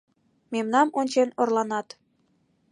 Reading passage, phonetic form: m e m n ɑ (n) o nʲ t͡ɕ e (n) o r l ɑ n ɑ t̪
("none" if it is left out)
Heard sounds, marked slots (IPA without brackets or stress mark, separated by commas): m, n